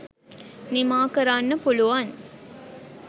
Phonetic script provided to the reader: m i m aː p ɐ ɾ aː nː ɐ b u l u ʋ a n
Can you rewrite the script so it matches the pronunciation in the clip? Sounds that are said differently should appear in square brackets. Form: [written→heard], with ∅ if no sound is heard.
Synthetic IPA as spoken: [m→n] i m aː [p→k] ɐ ɾ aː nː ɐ [b→p] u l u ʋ a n